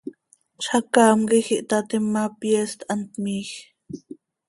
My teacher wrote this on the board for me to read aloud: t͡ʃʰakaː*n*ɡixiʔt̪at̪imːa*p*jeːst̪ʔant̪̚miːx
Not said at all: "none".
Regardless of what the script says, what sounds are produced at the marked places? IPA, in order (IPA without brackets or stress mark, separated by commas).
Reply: m, p